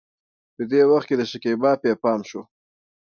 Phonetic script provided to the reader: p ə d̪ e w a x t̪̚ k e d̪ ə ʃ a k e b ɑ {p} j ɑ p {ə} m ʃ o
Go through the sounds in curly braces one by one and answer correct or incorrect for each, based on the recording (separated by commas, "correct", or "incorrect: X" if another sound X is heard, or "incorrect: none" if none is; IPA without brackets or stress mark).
correct, incorrect: ɑ